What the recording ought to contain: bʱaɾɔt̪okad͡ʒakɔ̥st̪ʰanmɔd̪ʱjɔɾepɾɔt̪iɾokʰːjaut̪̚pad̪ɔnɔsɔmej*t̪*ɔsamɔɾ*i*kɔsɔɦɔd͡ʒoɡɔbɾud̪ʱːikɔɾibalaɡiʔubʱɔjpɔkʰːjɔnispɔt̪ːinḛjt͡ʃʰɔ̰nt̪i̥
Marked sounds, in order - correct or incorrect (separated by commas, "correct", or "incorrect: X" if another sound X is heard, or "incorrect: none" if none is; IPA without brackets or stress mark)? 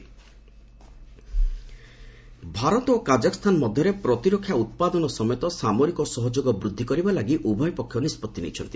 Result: correct, correct